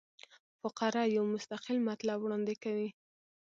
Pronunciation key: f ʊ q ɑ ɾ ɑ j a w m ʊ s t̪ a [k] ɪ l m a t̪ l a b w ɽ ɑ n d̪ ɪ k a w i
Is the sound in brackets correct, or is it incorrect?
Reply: incorrect: q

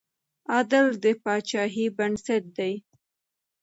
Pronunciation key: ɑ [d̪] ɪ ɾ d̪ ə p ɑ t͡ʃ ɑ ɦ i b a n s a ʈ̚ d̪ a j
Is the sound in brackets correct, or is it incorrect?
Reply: correct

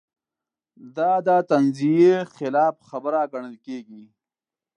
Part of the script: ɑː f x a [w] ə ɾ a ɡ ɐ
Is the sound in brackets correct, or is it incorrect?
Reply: incorrect: b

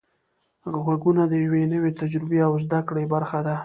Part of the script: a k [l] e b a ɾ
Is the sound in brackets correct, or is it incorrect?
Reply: incorrect: ɽ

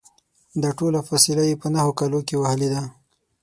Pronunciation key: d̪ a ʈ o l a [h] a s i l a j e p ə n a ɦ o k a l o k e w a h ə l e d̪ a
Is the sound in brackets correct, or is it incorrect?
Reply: incorrect: f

